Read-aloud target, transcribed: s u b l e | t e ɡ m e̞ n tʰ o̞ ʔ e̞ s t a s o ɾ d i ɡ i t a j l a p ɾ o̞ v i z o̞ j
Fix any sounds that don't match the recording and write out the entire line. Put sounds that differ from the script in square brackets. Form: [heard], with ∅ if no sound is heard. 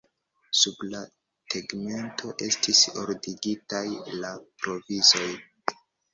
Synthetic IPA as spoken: s u b l [a] | t e ɡ m e̞ n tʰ o̞ ʔ e̞ s t [i] s o ɾ d i ɡ i t a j l a p ɾ o̞ v i z o̞ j